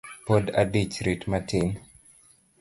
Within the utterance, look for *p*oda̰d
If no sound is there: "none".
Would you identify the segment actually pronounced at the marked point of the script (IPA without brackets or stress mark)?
p